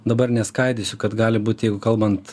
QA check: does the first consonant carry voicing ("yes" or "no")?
yes